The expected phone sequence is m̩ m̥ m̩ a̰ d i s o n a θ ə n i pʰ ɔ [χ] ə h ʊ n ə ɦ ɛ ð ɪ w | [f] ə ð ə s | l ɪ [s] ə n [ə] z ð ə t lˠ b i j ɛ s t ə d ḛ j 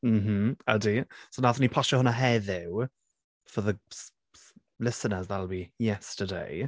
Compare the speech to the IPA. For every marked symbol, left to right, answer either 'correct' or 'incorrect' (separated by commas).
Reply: incorrect, correct, correct, correct